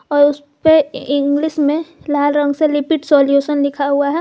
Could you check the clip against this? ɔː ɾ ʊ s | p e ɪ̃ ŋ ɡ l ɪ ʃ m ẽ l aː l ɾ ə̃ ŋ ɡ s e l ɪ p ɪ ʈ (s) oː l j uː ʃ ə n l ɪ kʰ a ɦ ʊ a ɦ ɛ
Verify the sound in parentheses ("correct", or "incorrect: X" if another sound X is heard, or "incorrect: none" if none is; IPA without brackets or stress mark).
correct